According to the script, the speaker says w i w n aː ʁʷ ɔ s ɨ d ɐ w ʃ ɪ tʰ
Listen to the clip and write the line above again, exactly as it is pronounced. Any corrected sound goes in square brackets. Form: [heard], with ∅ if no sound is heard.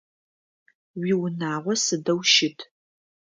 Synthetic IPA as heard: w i w n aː ʁʷ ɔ s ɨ d ɐ w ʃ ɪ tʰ